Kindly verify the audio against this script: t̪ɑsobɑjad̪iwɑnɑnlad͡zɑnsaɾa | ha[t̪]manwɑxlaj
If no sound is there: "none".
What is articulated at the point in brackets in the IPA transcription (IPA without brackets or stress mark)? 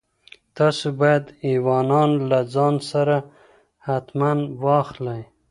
t̪